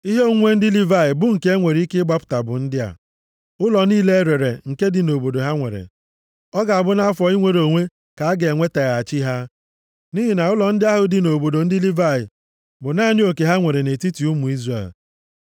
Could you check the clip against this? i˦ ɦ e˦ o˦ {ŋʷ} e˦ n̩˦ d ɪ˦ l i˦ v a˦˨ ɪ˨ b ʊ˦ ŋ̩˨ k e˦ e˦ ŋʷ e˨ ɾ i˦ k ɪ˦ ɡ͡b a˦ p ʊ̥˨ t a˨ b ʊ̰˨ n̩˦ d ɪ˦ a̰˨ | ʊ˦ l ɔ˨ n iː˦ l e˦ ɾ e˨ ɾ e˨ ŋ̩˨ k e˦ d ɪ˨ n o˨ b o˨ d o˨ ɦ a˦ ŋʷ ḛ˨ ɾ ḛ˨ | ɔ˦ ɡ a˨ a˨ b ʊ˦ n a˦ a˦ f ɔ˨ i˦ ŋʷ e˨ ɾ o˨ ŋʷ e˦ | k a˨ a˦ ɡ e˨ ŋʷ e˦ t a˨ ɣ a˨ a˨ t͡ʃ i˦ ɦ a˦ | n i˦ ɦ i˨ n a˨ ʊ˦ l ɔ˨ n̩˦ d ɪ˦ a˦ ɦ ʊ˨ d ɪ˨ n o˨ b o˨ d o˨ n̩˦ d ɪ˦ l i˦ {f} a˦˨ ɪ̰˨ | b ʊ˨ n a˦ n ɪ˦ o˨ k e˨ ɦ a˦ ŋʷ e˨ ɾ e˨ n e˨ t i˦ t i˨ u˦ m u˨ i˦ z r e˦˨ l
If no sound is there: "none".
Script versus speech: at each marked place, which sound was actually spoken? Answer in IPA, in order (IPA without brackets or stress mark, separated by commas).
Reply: ŋʷ, v